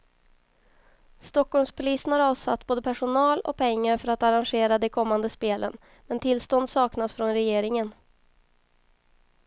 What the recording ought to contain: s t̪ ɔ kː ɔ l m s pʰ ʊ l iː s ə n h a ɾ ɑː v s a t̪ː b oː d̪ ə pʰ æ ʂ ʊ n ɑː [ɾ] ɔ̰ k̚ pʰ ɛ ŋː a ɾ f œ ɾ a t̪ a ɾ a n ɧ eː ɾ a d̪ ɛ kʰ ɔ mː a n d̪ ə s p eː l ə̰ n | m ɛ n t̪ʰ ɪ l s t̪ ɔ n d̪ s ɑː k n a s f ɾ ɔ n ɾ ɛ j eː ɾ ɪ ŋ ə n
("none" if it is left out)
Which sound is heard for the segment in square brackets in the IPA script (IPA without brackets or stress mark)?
l